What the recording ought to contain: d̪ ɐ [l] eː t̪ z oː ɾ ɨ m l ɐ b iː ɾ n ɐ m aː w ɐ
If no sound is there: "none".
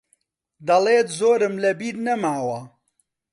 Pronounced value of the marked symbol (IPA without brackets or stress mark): l